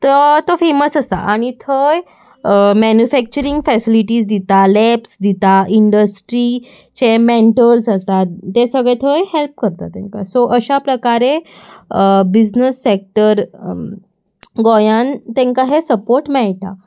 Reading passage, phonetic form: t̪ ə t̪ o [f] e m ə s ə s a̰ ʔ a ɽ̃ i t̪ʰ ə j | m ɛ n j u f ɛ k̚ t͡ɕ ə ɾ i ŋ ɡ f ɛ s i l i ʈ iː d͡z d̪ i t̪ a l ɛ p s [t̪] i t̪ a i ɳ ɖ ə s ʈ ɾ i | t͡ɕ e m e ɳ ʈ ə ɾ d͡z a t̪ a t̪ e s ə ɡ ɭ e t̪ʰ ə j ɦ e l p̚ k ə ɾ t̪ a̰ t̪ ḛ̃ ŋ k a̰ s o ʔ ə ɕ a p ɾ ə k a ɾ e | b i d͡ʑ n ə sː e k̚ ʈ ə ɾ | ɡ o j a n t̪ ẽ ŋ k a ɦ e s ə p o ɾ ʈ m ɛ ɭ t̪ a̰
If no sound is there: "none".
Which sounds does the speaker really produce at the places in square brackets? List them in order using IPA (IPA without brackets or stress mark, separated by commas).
f, d̪